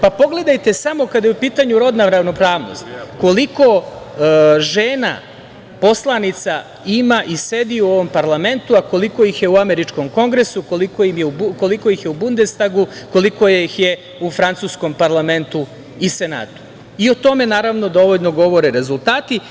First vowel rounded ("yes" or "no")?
no